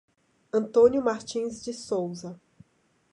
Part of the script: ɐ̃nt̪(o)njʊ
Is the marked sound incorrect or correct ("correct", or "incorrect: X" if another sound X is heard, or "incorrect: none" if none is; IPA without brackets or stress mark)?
incorrect: õ